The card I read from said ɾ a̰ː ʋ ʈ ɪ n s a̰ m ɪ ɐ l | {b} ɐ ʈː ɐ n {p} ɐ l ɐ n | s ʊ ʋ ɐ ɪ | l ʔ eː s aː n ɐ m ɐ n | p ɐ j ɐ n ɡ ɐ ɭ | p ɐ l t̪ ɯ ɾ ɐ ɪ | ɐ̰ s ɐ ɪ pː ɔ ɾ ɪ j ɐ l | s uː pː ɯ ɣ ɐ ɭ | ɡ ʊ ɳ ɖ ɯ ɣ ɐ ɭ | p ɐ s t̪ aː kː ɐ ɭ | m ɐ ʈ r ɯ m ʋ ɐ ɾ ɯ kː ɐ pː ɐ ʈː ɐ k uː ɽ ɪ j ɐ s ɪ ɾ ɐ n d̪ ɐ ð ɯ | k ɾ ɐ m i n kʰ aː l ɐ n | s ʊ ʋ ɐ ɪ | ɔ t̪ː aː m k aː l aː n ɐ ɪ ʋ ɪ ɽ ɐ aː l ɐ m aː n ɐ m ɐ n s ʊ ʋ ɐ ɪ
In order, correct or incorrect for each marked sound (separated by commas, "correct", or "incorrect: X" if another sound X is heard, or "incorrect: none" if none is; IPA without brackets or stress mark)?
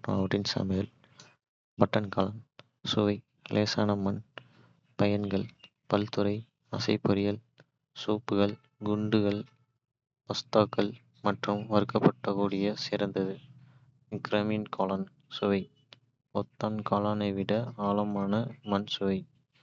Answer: correct, incorrect: k